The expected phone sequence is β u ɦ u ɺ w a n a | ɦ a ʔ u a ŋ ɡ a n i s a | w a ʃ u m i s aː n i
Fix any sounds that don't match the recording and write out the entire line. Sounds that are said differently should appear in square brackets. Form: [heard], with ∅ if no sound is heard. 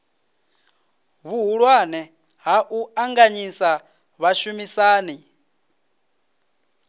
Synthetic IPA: β u ɦ u ɺ w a n [ɛ] | ɦ a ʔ u a ŋ ɡ a [ɲ] i s a | [β] a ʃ u m i s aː n i